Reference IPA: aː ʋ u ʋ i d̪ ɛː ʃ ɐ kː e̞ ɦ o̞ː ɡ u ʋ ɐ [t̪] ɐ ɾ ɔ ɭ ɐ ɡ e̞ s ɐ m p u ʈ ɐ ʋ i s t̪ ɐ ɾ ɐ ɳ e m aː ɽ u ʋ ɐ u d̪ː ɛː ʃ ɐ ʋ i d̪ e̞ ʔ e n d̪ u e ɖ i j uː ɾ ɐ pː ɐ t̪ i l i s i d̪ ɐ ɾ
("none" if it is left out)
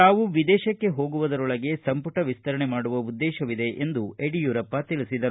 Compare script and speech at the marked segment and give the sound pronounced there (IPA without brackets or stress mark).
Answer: d̪